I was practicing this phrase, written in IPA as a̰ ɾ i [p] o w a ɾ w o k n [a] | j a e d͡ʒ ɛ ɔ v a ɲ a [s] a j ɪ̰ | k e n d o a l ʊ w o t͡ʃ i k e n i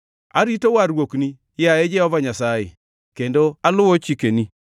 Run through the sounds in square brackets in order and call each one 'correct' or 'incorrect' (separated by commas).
incorrect, incorrect, correct